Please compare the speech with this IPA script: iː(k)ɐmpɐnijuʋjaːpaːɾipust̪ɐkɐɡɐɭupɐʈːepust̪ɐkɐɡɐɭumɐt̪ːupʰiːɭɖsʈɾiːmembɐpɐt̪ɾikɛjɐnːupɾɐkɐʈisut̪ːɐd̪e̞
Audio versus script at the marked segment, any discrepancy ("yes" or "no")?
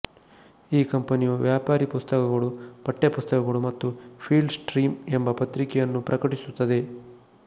no